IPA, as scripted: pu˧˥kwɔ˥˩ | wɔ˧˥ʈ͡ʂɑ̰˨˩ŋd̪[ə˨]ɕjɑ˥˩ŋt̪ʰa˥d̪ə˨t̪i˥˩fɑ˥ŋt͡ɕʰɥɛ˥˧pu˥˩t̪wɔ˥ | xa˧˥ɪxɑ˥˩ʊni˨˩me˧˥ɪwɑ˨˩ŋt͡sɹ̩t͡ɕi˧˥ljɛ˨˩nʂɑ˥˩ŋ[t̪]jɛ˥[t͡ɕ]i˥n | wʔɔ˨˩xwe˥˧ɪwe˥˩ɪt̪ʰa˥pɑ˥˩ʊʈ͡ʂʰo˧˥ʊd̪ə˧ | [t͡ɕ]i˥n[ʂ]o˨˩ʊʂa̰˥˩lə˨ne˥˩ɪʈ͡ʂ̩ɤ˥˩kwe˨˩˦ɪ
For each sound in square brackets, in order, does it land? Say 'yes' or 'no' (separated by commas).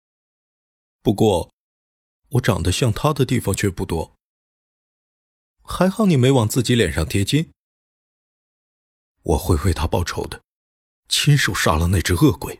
no, no, yes, no, yes